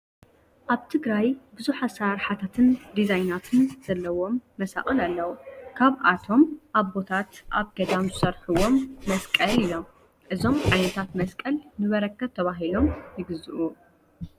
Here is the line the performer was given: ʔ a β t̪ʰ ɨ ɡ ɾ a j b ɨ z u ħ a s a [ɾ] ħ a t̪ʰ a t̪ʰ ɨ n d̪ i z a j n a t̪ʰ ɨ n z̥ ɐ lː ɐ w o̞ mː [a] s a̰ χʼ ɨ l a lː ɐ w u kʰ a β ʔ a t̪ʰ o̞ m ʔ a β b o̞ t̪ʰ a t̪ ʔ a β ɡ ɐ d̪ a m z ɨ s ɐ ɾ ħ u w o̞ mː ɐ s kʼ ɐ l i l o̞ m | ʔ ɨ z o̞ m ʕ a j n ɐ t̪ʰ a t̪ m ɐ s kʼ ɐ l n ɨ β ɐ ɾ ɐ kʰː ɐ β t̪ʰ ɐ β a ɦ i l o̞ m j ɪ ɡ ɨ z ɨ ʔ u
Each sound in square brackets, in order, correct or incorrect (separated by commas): correct, incorrect